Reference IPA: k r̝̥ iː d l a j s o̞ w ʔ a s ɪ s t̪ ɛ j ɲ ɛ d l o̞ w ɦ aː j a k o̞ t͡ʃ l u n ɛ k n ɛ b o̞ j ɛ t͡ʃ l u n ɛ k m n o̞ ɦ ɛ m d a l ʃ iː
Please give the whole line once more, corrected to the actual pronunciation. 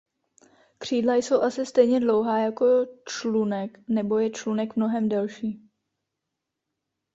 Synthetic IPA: k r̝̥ iː d l a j s o̞ w ʔ a s ɪ s t̪ ɛ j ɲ ɛ d l o̞ w ɦ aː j a k o̞ t͡ʃ l u n ɛ k n ɛ b o̞ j ɛ t͡ʃ l u n ɛ k m n o̞ ɦ ɛ m d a l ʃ iː